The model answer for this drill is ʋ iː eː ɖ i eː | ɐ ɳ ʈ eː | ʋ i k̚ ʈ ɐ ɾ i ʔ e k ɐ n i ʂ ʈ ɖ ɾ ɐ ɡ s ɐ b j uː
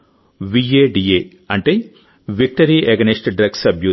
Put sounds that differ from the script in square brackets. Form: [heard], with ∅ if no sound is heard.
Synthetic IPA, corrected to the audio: ʋ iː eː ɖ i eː | ɐ ɳ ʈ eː | ʋ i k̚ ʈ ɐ ɾ i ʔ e [ɡ] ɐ n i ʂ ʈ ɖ ɾ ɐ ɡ s ɐ b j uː

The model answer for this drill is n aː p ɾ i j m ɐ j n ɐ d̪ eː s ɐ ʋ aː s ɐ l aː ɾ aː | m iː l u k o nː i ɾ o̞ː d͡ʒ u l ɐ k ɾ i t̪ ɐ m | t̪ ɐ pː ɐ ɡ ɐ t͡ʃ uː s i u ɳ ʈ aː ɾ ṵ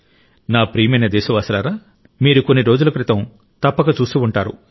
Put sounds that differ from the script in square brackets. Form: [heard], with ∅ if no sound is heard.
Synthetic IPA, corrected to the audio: n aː p ɾ i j m ɐ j n ɐ d̪ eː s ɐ ʋ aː s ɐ l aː ɾ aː | m iː [ɾ] u k o nː i ɾ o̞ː d͡ʒ u l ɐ k ɾ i t̪ ɐ m | t̪ ɐ pː ɐ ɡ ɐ t͡ʃ uː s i u ɳ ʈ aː ɾ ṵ

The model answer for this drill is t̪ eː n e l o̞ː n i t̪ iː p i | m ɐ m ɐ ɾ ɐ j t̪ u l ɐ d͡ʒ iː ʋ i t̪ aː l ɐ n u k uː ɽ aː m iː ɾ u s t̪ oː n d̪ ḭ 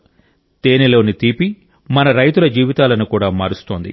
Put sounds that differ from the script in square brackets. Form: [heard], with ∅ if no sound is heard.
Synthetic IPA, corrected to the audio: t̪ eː n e l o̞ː n i t̪ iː p i | m ɐ [n] ɐ ɾ ɐ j t̪ u l ɐ d͡ʒ iː ʋ i t̪ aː l ɐ n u k uː ɽ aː m [aː] ɾ u s t̪ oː n d̪ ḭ

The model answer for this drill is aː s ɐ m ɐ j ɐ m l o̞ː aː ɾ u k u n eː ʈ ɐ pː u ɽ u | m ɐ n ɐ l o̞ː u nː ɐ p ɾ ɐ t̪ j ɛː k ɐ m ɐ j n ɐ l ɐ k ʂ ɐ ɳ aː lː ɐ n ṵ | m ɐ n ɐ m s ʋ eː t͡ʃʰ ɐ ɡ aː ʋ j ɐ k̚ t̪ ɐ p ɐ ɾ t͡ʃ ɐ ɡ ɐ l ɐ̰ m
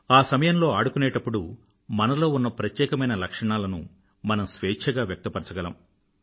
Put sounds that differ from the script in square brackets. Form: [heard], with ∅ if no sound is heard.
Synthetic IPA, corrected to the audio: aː s ɐ m ɐ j ɐ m l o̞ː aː [ɽ] u k u n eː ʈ ɐ pː u ɽ u | m ɐ n ɐ l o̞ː u nː ɐ p ɾ ɐ t̪ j ɛː k ɐ m ɐ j n ɐ l ɐ k ʂ ɐ ɳ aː [l] ɐ n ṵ | m ɐ n ɐ m s ʋ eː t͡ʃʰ ɐ ɡ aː ʋ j ɐ k̚ t̪ ɐ p ɐ ɾ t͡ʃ ɐ ɡ ɐ l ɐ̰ m

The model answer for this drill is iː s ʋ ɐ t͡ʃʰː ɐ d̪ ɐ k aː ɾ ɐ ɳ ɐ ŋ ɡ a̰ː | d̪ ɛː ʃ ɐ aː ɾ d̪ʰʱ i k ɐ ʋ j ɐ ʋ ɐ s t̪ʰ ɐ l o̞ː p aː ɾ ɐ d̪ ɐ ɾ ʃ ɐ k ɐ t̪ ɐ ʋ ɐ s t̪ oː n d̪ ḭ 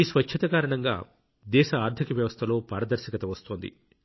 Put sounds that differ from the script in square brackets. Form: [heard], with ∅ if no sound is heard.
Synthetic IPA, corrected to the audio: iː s ʋ ɐ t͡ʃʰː ɐ [t̪] ɐ k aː ɾ ɐ ɳ ɐ ŋ ɡ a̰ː | d̪ ɛː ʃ ɐ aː ɾ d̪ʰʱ i k ɐ ʋ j ɐ ʋ ɐ s t̪ʰ ɐ l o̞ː p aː ɾ ɐ d̪ ɐ ɾ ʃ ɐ k ɐ t̪ ɐ ʋ ɐ s t̪ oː n d̪ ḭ

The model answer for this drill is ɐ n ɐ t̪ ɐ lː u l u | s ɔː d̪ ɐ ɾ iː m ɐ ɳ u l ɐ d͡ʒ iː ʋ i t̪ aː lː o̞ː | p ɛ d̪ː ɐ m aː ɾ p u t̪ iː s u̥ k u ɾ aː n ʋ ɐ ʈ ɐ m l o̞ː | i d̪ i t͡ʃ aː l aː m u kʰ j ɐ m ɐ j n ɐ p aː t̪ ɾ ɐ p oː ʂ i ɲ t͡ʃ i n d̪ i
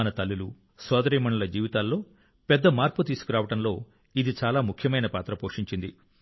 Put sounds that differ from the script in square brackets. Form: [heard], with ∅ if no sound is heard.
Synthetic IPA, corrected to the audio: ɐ n ɐ t̪ ɐ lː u l u | s ɔː d̪ ɐ ɾ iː m ɐ ɳ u l ɐ d͡ʒ iː ʋ i t̪ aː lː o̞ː | p ɛ d̪ː ɐ m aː ɾ p u t̪ iː s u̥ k u ɾ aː [∅] ʋ ɐ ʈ ɐ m l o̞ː | i d̪ i t͡ʃ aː l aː m u kʰ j ɐ m ɐ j n ɐ p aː t̪ ɾ ɐ p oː ʂ i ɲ t͡ʃ i n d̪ i

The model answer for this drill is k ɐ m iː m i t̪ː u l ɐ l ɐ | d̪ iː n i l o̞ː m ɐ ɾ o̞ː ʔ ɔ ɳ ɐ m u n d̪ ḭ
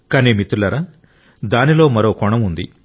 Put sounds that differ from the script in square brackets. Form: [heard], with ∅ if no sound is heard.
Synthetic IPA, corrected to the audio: k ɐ [n] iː m i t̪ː u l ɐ [ɾ] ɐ | d̪ [aː] n i l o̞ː m ɐ ɾ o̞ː [k] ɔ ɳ ɐ m u n d̪ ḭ

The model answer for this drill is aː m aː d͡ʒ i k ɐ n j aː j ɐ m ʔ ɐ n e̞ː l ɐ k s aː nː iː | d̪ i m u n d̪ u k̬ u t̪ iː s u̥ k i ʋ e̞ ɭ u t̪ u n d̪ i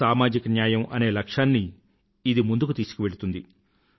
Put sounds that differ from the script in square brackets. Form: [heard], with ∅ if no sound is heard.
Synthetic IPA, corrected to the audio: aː m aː d͡ʒ i k ɐ n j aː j ɐ m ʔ ɐ n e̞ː l ɐ k [ʂ] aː nː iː | d̪ i m u n d̪ u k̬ u t̪ iː s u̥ k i ʋ e̞ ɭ u t̪ u n d̪ i

